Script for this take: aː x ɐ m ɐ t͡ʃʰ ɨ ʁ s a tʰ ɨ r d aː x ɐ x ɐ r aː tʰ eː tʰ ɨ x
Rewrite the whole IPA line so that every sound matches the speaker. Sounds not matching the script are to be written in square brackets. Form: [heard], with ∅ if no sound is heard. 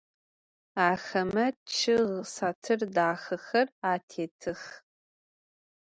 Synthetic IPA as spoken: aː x ɐ m ɐ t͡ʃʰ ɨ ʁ s a tʰ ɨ r d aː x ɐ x ɐ r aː tʰ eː tʰ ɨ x